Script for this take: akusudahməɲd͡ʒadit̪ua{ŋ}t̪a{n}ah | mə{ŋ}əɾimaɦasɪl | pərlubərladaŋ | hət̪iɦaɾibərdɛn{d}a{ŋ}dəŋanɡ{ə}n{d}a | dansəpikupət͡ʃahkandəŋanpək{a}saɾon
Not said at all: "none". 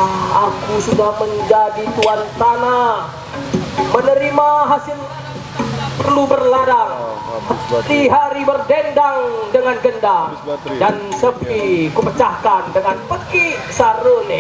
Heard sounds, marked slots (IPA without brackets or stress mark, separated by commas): n, n, n, d, ŋ, ə, d, i